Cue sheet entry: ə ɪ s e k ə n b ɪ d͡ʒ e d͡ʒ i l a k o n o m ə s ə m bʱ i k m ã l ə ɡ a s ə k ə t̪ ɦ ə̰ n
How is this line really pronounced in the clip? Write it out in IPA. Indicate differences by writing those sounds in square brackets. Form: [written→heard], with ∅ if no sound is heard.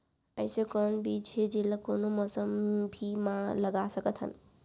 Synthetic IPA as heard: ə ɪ s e k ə n b [ɪ→i] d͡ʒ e d͡ʒ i l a k o n o m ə s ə m bʱ i [k→∅] m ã l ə ɡ a s ə k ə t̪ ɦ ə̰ n